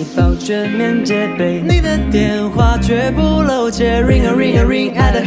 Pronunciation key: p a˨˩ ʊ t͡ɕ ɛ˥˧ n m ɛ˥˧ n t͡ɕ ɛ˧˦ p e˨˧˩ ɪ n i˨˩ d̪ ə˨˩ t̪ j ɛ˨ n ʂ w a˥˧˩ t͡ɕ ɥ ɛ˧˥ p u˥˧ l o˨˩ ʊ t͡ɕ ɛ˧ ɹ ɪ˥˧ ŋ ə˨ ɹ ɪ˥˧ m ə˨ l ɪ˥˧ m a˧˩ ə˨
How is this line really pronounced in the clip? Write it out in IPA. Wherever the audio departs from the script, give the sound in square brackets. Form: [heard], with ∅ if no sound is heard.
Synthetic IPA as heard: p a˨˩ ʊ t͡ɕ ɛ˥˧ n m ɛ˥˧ n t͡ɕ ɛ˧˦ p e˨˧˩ ɪ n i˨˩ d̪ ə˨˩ t̪ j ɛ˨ n [x] w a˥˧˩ t͡ɕ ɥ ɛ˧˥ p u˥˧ l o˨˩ ʊ t͡ɕ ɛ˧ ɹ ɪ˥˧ ŋ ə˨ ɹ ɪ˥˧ [ŋ] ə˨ [ɹ] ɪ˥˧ [ŋ] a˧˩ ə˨